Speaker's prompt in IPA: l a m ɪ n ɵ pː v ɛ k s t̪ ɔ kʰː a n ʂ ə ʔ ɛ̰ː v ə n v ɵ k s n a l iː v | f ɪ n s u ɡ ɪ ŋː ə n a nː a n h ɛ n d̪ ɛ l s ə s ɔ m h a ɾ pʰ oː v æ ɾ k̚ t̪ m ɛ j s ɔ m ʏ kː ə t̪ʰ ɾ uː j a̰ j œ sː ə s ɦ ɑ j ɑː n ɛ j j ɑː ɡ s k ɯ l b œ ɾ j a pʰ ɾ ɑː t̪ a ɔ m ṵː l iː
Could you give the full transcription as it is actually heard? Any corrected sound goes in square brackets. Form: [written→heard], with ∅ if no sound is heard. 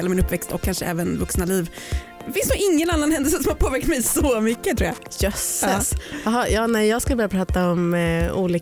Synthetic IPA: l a m ɪ n ɵ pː v ɛ k s t̪ ɔ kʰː a n ʂ ə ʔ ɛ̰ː v ə n v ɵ k s n a l iː v | f ɪ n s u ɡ ɪ ŋː ə n a nː a n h ɛ n d̪ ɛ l s ə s ɔ m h a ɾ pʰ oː v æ ɾ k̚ t̪ m ɛ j s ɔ m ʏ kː ə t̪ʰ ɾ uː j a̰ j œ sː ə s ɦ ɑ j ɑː n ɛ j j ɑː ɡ s k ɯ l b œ ɾ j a pʰ ɾ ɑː t̪ a ɔ m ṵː l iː